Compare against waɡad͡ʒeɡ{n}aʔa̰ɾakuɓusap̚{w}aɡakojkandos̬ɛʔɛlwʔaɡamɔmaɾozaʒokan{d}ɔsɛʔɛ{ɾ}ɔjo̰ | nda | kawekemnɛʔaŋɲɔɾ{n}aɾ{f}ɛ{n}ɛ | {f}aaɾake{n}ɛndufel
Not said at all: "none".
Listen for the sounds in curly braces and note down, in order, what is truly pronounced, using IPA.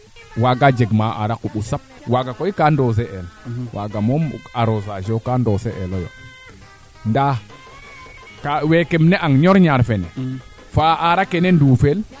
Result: m, w, d, l, ɲ, f, n, f, n

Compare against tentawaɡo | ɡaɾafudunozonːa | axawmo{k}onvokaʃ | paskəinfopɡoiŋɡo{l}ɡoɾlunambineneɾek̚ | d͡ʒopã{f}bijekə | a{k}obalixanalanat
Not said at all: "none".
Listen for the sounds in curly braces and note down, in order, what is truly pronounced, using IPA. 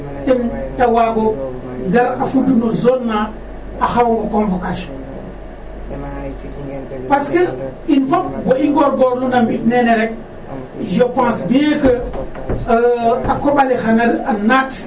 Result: k, ɾ, s, k

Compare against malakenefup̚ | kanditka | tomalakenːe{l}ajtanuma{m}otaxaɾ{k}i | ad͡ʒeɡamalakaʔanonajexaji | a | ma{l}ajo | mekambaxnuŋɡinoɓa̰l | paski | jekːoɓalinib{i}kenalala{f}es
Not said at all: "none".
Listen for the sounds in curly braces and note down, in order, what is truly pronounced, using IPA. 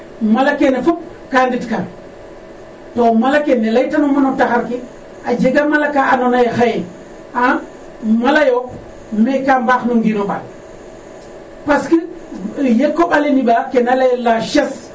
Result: l, n, k, l, a, ʃ

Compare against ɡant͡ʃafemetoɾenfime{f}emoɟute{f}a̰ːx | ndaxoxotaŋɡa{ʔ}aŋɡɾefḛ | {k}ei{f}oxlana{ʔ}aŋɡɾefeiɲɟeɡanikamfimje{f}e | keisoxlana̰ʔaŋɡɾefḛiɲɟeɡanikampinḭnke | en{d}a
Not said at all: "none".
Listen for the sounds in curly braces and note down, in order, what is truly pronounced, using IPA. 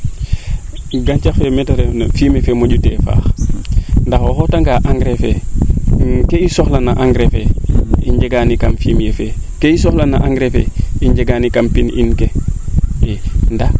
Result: f, f, ʔ, k, s, ʔ, f, d

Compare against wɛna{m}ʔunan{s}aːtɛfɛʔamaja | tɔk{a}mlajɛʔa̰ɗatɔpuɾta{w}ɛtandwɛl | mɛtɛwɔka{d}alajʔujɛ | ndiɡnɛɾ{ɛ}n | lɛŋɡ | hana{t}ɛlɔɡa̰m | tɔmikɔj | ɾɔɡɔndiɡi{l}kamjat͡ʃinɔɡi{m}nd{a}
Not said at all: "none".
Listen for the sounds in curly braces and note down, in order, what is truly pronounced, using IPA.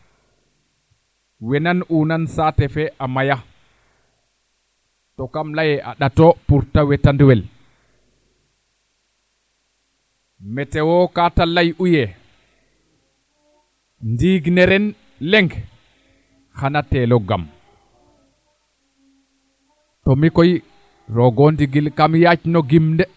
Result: n, s, a, w, t, ɛ, t, l, m, ɛ

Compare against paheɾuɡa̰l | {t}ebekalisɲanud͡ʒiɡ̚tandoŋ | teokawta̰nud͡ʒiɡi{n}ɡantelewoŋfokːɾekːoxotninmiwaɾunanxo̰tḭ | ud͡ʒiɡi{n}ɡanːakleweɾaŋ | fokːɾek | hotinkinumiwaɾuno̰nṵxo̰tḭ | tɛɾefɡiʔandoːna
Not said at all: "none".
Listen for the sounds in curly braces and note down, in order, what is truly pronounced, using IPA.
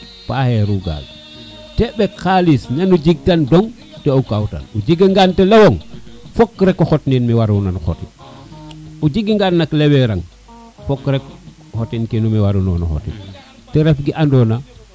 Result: t, ŋ, ŋ

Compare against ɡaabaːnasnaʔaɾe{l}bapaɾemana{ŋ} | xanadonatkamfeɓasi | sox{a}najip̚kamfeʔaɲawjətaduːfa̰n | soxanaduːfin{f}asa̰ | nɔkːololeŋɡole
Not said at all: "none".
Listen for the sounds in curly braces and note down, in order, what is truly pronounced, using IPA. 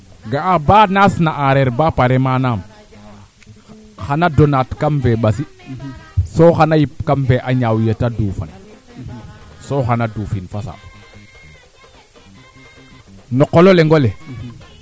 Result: ɾ, m, a, f

